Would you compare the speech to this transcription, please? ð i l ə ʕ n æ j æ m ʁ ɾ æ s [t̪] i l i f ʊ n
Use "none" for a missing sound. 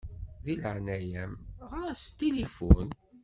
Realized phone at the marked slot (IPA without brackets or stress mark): t̪